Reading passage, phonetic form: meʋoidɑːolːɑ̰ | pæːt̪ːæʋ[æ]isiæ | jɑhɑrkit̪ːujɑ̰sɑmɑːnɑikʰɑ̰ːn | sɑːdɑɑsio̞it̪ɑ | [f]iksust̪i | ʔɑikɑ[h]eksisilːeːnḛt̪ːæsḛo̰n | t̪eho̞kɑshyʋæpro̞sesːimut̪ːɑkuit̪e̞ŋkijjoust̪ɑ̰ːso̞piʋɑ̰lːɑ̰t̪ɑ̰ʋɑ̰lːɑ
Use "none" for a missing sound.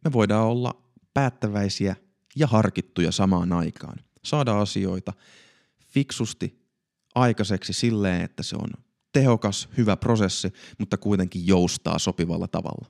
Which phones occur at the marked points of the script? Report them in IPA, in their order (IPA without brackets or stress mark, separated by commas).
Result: æ, f, s